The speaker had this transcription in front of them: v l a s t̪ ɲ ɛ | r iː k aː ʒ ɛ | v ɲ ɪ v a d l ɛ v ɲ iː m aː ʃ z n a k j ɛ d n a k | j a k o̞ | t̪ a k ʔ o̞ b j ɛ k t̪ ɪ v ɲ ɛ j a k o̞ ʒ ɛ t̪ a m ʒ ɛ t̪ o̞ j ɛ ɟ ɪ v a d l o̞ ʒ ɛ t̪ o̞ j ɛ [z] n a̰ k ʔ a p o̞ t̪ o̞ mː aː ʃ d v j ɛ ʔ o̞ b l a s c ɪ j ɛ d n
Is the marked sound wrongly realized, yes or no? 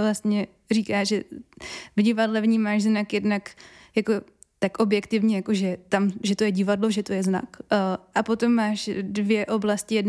no